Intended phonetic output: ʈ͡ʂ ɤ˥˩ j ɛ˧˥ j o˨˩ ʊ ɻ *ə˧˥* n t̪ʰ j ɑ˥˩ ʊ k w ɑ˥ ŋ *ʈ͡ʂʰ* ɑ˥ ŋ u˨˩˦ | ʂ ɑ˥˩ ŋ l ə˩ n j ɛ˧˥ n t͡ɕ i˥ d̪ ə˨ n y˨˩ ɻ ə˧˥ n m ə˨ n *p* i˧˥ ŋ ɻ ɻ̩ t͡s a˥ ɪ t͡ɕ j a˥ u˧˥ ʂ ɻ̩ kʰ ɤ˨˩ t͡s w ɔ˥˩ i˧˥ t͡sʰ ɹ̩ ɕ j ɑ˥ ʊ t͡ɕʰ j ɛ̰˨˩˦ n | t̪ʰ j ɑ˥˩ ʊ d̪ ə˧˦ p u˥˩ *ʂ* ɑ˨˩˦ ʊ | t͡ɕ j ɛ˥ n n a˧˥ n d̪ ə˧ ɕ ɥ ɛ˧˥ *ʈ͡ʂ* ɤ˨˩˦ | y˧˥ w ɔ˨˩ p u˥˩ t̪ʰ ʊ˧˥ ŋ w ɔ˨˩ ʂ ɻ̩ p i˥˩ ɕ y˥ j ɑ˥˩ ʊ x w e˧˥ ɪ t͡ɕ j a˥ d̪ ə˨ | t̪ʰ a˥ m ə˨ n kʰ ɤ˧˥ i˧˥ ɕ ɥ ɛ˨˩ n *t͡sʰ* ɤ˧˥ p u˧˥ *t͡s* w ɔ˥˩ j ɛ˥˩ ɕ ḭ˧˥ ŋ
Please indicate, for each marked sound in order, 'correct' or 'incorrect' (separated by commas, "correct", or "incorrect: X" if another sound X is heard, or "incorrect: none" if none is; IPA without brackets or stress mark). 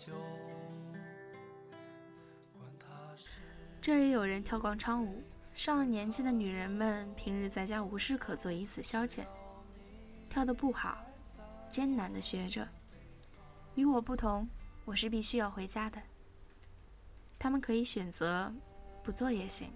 correct, correct, incorrect: pʰ, incorrect: x, correct, incorrect: t͡s, correct